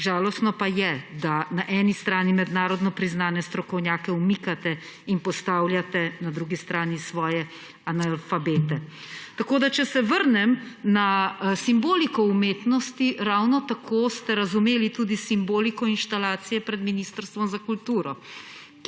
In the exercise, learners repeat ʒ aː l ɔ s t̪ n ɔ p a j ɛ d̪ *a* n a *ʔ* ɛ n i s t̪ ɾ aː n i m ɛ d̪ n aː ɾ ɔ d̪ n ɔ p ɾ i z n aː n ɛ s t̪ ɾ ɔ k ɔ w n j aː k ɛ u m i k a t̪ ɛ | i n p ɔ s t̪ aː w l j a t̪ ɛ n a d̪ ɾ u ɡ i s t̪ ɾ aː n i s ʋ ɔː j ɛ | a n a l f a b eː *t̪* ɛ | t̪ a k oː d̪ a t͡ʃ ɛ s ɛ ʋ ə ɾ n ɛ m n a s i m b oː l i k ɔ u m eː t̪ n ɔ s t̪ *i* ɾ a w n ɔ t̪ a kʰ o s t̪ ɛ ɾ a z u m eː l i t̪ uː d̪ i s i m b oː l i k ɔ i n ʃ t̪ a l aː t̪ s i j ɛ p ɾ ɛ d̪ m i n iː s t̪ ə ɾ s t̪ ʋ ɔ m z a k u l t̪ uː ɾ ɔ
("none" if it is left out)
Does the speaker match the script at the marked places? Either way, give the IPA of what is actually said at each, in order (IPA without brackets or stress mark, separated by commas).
a, ʔ, t̪, i